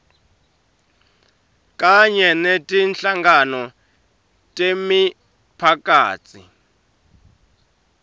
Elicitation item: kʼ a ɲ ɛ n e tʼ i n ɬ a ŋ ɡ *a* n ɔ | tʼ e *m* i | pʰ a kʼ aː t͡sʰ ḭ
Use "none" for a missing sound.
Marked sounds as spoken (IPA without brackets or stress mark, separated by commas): a, m